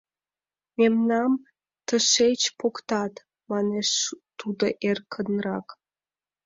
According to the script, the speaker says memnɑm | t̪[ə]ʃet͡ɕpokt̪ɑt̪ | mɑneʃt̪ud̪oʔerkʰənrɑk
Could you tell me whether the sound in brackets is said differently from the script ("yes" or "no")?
no